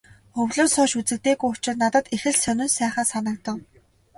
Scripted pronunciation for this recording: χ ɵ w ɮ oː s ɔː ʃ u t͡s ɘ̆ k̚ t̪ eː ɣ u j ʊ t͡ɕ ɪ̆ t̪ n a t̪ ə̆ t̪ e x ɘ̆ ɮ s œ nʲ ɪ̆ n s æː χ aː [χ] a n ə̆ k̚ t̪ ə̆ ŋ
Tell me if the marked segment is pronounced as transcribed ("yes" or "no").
no